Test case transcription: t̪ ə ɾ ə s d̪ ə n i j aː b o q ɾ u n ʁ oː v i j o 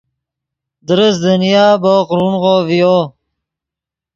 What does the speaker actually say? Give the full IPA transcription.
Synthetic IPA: d̪ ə ɾ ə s d̪ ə n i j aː b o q ɾ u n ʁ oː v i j o